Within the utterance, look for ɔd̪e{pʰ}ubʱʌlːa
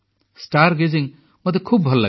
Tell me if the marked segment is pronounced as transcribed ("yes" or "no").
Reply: no